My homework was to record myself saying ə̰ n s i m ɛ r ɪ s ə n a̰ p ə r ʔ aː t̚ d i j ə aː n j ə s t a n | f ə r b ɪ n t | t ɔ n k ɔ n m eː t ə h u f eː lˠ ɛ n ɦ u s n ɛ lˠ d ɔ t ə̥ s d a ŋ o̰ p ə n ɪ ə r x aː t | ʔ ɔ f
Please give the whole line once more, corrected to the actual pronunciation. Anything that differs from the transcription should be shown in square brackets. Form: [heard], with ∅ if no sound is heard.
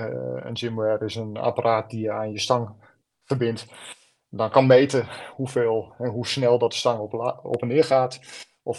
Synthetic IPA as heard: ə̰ n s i m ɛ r ɪ s ə n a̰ p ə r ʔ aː t̚ d i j ə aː n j ə s t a [ŋ] | f ə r b ɪ n t | [d] ɔ n k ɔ n m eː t ə h u f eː lˠ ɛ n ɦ u s n ɛ lˠ d ɔ t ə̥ s [t] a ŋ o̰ p ə n ɪ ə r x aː t | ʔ ɔ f